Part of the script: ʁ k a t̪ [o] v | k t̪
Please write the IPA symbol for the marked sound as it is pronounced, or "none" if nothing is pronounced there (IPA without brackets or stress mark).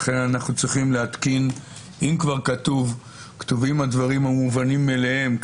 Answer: u